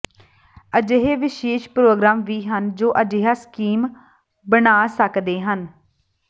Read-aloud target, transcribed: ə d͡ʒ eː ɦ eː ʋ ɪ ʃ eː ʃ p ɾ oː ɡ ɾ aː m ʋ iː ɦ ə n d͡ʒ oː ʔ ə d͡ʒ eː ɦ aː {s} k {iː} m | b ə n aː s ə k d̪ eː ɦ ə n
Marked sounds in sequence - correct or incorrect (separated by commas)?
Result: correct, correct